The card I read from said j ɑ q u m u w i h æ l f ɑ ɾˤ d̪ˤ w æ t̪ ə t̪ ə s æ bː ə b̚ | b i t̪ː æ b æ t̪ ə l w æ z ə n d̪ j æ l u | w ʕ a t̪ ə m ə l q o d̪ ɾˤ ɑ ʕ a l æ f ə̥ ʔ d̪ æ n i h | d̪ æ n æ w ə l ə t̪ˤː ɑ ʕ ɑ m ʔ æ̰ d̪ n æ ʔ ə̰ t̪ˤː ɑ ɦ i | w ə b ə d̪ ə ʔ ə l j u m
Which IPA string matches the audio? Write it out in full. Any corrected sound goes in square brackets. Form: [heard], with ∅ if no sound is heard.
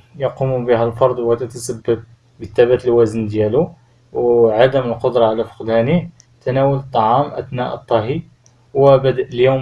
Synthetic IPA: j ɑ q u m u [b] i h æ l f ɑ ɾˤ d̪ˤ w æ t̪ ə t̪ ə s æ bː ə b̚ | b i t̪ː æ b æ t̪ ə l w æ z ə n d̪ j æ l u | w ʕ a [d̪] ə m ə l q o d̪ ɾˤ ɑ ʕ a l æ f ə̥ [q] d̪ æ n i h | [t̪] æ n æ w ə l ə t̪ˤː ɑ ʕ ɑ m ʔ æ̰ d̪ n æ ʔ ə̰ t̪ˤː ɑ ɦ i | w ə b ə d̪ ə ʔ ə l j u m

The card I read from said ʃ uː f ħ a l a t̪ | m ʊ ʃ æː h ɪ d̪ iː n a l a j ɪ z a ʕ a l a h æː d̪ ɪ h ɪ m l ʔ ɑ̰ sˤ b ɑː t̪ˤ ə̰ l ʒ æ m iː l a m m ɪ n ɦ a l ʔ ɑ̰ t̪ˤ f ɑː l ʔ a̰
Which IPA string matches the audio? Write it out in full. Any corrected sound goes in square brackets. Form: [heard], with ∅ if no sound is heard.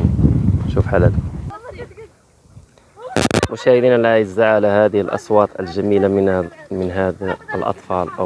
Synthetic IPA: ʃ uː f ħ a l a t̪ | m ʊ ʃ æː h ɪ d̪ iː n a l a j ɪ z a ʕ a l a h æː d̪ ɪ h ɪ [∅] l ʔ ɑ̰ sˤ [w] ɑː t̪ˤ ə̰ l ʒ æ m iː l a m m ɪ n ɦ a l ʔ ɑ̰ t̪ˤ f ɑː l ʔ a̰

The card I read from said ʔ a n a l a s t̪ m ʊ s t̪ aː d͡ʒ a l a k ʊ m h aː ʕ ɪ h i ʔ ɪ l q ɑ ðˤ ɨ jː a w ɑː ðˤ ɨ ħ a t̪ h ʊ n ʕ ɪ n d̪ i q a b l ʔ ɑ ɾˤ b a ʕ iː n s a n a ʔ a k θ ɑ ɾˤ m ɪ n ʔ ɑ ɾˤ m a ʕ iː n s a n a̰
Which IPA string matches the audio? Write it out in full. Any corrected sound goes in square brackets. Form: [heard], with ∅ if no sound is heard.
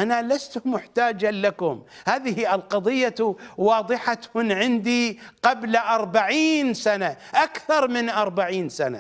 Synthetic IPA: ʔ a n a l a s t̪ m ʊ [ħ] t̪ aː d͡ʒ a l a k ʊ m h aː [ð] ɪ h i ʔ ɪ l q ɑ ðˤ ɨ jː a w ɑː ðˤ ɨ ħ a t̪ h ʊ n ʕ ɪ n d̪ i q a b l ʔ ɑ ɾˤ b a ʕ iː n s a n a ʔ a k θ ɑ ɾˤ m ɪ n ʔ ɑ ɾˤ [b] a ʕ iː n s a n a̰

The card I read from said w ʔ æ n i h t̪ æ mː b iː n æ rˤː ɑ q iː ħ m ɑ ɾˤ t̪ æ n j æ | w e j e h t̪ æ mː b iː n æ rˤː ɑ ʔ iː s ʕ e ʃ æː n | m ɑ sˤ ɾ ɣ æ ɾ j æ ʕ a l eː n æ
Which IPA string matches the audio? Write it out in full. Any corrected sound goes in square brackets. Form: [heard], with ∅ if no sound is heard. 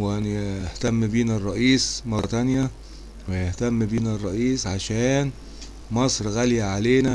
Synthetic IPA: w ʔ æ n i h t̪ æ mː b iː n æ rˤː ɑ [ʔ] iː [s] m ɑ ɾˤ t̪ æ n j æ | w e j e h t̪ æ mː b iː n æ rˤː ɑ ʔ iː s ʕ [a] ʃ æː n | m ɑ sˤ ɾ ɣ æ [l] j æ ʕ a l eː n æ

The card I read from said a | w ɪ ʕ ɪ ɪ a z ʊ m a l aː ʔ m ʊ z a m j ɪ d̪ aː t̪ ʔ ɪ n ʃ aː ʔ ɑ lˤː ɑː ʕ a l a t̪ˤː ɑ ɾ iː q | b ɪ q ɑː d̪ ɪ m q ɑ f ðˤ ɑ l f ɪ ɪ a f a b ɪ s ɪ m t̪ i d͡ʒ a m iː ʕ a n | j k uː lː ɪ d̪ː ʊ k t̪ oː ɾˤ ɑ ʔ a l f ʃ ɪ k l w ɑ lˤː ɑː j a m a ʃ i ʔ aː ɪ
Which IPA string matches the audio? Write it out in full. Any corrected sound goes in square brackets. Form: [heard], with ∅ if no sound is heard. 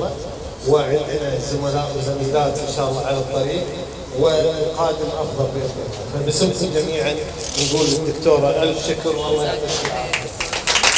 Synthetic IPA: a | w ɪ ʕ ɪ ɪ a z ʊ m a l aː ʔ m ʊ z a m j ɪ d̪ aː t̪ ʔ ɪ n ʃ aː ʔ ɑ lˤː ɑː ʕ a l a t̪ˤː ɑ ɾ iː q | [w] ɪ q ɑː d̪ ɪ m [ʔ] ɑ f ðˤ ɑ l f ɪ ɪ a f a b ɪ s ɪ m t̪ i d͡ʒ a m iː ʕ a n | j [ɡ] uː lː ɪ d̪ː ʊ k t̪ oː ɾˤ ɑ ʔ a l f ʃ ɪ k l w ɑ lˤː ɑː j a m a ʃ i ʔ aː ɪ

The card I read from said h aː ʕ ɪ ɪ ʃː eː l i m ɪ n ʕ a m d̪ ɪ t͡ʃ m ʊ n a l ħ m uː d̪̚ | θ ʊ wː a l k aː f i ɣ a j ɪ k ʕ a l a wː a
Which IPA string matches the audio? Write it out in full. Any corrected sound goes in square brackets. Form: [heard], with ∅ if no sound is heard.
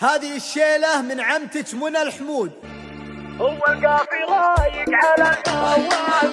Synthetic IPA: h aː [ð] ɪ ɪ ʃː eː l [a] m ɪ n ʕ a m [t̪] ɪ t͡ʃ m ʊ n a l ħ m uː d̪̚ | [h] ʊ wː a l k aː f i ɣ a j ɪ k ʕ a l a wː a

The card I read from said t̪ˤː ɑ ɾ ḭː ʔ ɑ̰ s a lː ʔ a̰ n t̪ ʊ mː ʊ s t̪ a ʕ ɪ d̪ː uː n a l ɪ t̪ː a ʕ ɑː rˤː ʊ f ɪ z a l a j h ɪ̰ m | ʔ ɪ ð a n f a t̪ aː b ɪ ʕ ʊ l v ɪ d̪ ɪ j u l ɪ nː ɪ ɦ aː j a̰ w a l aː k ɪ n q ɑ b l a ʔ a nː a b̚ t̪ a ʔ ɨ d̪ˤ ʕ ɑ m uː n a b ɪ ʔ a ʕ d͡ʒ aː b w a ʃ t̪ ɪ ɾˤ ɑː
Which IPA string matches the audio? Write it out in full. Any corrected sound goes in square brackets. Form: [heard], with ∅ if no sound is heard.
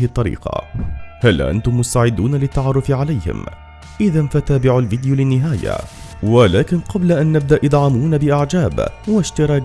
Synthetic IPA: t̪ˤː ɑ ɾ ḭː [q] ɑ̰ [h] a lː ʔ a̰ n t̪ ʊ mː ʊ s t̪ a ʕ ɪ d̪ː uː n a l ɪ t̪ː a ʕ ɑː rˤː ʊ f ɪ [ʕ] a l a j h ɪ̰ m | ʔ ɪ ð a n f a t̪ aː b ɪ ʕ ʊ l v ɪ d̪ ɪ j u l ɪ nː ɪ ɦ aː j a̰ w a l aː k ɪ n q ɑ b l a ʔ a nː a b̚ [d̪] a ʔ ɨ d̪ˤ ʕ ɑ m uː n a b ɪ ʔ a ʕ d͡ʒ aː b w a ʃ t̪ ɪ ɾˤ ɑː

